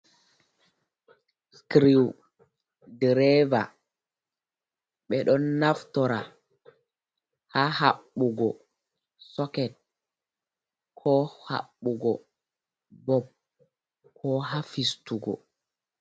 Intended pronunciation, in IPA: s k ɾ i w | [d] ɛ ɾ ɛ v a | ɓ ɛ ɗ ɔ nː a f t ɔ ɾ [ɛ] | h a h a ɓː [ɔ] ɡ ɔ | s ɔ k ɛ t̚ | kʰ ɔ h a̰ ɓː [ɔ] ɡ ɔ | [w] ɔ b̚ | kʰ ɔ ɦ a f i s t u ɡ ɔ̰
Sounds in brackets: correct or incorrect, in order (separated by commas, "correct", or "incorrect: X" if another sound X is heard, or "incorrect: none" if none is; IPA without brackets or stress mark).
correct, incorrect: a, incorrect: u, incorrect: u, incorrect: b